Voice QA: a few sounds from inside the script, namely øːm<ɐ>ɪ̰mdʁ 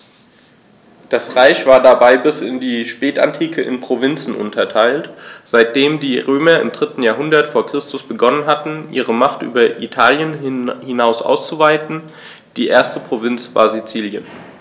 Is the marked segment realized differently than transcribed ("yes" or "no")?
no